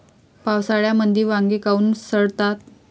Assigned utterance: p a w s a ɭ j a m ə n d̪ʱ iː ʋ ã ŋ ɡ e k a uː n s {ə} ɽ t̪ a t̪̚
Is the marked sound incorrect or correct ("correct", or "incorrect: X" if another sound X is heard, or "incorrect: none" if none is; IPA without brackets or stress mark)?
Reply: correct